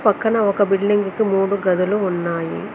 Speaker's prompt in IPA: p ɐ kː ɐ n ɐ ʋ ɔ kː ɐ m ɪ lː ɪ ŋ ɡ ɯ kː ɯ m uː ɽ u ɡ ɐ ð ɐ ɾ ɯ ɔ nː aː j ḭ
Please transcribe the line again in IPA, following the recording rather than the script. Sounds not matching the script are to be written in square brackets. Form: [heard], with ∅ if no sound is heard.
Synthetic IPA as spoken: p ɐ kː ɐ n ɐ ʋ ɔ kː ɐ [b] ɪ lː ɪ ŋ ɡ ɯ kː ɯ m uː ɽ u ɡ ɐ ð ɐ [l] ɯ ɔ nː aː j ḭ